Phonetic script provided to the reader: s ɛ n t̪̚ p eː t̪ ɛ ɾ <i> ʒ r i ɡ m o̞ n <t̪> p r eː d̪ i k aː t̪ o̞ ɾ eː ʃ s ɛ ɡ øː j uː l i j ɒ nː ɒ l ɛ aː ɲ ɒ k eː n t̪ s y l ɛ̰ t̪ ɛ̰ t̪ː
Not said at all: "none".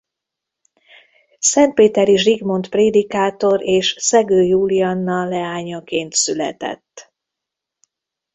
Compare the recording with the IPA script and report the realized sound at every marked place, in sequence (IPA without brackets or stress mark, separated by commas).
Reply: i, t̪